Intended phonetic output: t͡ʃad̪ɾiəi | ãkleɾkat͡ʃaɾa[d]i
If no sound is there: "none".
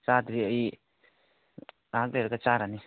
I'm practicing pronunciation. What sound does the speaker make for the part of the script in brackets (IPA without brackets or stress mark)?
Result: n